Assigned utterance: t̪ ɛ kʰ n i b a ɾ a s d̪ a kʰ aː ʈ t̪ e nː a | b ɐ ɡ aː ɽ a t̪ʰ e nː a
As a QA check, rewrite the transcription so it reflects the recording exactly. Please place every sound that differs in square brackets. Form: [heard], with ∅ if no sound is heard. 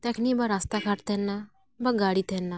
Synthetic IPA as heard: t̪ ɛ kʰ n i b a ɾ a s [t̪] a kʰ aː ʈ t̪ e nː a | b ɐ ɡ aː ɽ [i] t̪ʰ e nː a

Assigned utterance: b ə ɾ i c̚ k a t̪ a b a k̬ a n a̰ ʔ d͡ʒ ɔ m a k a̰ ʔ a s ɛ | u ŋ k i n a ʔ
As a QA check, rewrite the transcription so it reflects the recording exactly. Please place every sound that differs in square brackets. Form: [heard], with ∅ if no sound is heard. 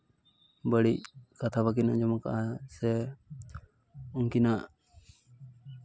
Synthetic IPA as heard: b ə [ɽ] i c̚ k a [t̪ʰ] a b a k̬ [i] n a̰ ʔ d͡ʒ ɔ m a k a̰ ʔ a s ɛ | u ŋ k i n a ʔ

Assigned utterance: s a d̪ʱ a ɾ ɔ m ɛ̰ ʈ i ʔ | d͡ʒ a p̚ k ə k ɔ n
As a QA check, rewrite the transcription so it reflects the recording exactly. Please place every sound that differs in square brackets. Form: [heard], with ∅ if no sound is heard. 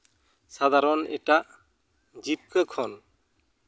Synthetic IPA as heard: s a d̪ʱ a ɾ ɔ [n] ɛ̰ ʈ [a] ʔ | d͡ʒ [i] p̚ k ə [kʰ] ɔ n

